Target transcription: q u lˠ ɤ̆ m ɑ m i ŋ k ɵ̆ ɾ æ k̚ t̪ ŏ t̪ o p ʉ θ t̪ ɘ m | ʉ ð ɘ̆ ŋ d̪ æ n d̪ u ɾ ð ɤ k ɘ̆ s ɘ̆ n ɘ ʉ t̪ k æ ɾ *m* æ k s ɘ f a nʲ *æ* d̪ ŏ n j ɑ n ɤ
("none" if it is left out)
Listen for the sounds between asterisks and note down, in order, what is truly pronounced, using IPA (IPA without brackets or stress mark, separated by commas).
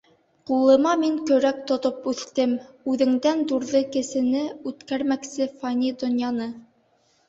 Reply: m, i